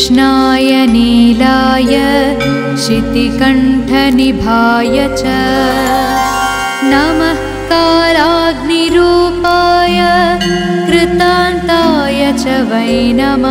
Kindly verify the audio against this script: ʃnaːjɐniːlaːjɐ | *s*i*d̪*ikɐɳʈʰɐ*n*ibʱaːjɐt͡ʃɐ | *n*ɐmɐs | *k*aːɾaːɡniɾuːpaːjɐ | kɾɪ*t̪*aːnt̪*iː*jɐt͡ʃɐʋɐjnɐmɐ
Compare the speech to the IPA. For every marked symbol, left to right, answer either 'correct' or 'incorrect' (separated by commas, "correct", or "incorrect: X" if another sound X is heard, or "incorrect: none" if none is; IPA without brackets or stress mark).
incorrect: ʃ, incorrect: t̪, correct, correct, correct, correct, incorrect: aː